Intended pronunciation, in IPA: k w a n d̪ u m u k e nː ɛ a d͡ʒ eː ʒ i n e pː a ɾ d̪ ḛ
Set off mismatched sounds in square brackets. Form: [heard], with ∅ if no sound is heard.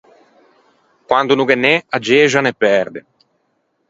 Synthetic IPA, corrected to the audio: k w a n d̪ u [n] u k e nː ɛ a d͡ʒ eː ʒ [a] n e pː [ɛ] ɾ d̪ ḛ